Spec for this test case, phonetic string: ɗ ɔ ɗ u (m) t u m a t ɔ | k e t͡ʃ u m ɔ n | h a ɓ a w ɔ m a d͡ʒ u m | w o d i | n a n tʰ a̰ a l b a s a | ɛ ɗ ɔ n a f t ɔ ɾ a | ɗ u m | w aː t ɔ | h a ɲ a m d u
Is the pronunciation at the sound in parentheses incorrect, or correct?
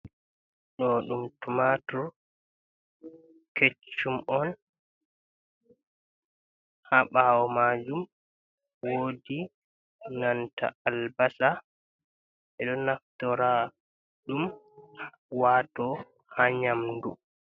correct